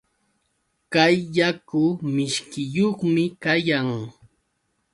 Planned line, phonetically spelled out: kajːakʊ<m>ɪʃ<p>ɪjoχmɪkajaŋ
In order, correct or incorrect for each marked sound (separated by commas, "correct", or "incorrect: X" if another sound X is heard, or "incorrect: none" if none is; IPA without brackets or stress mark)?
correct, incorrect: k